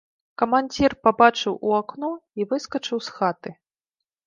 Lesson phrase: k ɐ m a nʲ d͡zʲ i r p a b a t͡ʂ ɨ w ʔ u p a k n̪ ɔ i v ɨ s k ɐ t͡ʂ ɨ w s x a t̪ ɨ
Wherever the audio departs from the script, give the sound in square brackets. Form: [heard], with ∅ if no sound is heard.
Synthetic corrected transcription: k ɐ m a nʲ d͡zʲ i r p a b a t͡ʂ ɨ w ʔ u [∅] a k n̪ ɔ i v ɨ s k ɐ t͡ʂ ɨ w s x a t̪ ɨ